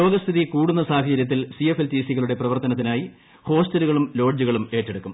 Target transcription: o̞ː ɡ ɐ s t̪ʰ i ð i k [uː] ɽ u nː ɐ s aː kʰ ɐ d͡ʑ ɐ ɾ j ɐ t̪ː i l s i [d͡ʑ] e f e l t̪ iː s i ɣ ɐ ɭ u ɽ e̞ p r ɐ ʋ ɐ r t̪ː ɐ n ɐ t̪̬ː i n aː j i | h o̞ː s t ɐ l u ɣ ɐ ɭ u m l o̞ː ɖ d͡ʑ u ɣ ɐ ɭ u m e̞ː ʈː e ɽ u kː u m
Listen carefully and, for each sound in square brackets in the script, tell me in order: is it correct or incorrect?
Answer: correct, incorrect

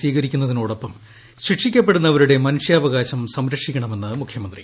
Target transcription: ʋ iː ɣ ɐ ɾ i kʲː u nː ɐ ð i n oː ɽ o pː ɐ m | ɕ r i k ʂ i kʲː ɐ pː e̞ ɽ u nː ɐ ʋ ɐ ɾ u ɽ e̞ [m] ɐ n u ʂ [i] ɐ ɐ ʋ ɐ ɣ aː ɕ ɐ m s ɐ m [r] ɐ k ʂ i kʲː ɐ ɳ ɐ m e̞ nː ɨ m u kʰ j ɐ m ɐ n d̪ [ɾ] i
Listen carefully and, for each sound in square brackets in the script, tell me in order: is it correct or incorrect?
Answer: correct, incorrect, incorrect, incorrect

